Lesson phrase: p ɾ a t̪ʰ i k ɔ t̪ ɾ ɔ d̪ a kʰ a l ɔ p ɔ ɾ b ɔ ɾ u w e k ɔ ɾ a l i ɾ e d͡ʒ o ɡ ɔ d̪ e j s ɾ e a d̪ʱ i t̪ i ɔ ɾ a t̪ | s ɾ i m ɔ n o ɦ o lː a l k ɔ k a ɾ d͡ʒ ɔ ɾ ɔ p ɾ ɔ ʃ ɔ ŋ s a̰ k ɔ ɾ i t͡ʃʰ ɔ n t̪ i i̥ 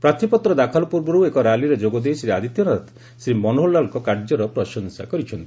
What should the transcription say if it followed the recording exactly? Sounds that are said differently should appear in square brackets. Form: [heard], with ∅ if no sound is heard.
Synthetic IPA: p ɾ a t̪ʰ i [p] ɔ t̪ ɾ ɔ d̪ a kʰ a l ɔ p [u] ɾ b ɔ ɾ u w e k ɔ ɾ a l i ɾ e d͡ʒ o ɡ ɔ d̪ e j s ɾ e a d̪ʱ i t̪ [j] ɔ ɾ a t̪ | s ɾ i m ɔ n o ɦ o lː a l k ɔ k a ɾ d͡ʒ ɔ ɾ ɔ p ɾ ɔ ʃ ɔ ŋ s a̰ k ɔ ɾ i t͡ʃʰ ɔ n t̪ i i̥

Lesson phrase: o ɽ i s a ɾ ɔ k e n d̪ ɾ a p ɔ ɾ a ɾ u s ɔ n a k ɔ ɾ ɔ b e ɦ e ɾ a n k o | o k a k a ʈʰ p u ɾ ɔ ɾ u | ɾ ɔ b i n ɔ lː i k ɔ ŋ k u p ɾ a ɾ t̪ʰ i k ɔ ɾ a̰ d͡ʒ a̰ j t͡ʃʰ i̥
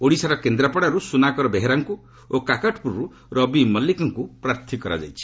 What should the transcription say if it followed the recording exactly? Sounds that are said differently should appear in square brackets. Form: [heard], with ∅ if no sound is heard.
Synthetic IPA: o ɽ i s a ɾ ɔ k e n d̪ ɾ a p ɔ [ɽ] a ɾ u s [u] n a k ɔ ɾ ɔ b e ɦ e ɾ a [ŋ] k [u] | o k a k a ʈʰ p u ɾ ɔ ɾ u | ɾ ɔ b i [m] ɔ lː i k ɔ ŋ k u p ɾ a ɾ t̪ʰ i k ɔ ɾ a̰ d͡ʒ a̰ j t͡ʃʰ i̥

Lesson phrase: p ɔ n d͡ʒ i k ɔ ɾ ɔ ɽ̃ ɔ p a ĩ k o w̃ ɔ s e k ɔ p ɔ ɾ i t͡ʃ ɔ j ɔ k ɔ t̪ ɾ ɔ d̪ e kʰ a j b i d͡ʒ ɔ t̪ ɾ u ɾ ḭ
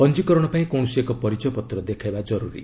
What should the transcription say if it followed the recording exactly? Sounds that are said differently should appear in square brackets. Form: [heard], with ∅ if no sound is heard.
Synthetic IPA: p ɔ n d͡ʒ i k ɔ ɾ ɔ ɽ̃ ɔ p a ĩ k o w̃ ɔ s e k ɔ p ɔ ɾ i t͡ʃ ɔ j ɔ [p] ɔ t̪ ɾ ɔ d̪ e kʰ a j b [a] d͡ʒ ɔ [∅] ɾ u ɾ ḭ

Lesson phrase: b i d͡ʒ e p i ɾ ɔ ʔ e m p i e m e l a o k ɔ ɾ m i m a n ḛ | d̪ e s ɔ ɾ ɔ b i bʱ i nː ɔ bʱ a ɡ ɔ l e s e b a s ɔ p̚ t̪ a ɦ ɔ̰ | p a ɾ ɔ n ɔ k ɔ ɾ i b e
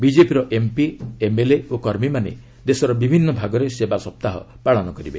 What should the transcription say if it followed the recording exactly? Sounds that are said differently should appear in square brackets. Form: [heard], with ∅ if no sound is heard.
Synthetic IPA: b i d͡ʒ e p i ɾ ɔ ʔ e m p i e m e l [e] o k ɔ ɾ m i m a n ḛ | d̪ e s ɔ ɾ ɔ b i bʱ i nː ɔ bʱ a ɡ ɔ [ɾ] e s e b a s ɔ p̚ t̪ a ɦ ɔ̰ | p a [ɭ] ɔ n ɔ k ɔ ɾ i b e

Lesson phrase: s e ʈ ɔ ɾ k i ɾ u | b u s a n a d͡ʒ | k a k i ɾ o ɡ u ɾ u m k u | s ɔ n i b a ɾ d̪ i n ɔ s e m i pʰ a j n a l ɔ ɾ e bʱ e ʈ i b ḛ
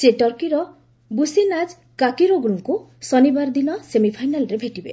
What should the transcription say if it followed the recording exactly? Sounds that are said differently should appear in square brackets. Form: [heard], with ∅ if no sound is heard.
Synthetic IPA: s e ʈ ɔ ɾ k i ɾ [ɔ] | b u s [i] n a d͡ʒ | k a k i ɾ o ɡ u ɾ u [ŋ] k u | s ɔ n i b a ɾ d̪ i n ɔ s e m i pʰ a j n a l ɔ ɾ e bʱ e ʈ i b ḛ

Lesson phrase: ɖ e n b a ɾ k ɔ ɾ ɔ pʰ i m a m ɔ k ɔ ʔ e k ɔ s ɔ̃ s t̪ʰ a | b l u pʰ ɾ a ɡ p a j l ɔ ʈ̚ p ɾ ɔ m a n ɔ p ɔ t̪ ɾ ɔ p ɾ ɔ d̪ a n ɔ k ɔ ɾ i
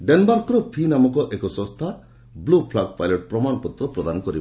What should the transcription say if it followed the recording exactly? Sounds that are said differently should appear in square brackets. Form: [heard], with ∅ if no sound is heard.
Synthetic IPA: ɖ e n b a ɾ k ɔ ɾ ɔ pʰ i [n] a m ɔ k ɔ ʔ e k ɔ s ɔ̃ s t̪ʰ a | b l u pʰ [l] a ɡ p a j l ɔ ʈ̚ p ɾ ɔ m a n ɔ p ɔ t̪ ɾ ɔ p ɾ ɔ d̪ a n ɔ k ɔ ɾ i

